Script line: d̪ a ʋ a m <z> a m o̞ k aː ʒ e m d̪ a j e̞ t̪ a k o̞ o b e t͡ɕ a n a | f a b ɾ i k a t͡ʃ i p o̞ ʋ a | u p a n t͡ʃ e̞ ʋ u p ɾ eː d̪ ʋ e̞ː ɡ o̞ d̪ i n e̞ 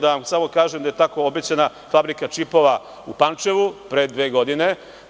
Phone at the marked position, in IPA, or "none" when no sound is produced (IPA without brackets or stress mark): s